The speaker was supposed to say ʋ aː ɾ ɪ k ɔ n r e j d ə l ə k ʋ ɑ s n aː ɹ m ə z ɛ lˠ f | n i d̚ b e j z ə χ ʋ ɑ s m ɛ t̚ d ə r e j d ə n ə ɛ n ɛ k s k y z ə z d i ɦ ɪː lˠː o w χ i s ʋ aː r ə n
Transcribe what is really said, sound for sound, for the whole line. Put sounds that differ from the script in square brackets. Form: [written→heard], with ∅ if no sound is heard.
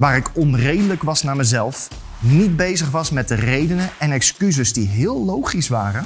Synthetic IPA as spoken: ʋ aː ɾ ɪ k ɔ n r e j d ə l ə k ʋ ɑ s n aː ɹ m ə z ɛ lˠ f | n i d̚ b e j z ə χ ʋ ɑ s m ɛ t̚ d ə r e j d ə n ə ɛ n ɛ k s k y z ə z d i ɦ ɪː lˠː o w χ i s ʋ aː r ə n